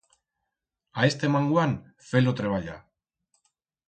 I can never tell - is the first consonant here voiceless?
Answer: yes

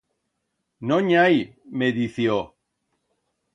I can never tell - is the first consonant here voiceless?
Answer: no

